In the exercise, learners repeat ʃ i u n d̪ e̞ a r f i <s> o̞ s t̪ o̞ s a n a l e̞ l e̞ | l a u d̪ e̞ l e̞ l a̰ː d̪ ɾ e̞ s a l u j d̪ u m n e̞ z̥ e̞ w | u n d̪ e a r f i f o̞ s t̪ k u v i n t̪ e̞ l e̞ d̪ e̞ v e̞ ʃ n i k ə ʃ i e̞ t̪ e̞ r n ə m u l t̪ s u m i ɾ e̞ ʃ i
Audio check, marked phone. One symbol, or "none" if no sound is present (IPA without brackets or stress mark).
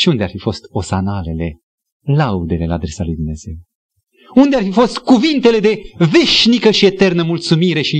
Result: f